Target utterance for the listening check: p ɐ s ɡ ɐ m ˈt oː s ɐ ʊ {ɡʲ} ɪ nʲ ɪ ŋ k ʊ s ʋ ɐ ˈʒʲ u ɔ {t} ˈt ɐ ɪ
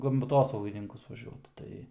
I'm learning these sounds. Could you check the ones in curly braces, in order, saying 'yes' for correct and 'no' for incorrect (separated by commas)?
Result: yes, yes